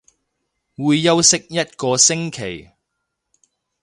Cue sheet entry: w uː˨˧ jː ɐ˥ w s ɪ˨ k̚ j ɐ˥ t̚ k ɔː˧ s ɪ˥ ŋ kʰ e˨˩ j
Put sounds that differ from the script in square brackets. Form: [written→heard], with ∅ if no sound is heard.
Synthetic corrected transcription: w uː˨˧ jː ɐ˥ w s [ɪ˨→ɪ˥] k̚ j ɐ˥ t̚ k ɔː˧ s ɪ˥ ŋ kʰ e˨˩ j